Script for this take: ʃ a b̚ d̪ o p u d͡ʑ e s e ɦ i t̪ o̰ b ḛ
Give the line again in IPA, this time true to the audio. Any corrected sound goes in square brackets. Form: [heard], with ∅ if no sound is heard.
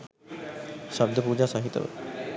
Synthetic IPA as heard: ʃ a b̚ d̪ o p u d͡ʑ [a] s [a] ɦ i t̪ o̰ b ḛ